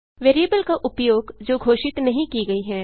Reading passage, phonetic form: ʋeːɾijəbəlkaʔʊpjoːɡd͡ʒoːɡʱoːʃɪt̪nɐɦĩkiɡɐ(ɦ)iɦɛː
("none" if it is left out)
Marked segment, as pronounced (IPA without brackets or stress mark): none